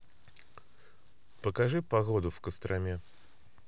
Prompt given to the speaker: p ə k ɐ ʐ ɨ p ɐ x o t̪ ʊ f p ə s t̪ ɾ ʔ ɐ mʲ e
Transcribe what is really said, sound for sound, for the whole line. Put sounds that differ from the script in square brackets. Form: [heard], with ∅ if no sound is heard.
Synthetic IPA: p ə k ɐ ʐ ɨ p ɐ [ɣ] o [d̪] ʊ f [k] ə s t̪ ɾ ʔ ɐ mʲ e